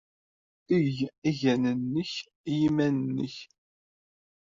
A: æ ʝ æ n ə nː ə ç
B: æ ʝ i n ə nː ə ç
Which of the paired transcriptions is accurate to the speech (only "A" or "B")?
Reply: A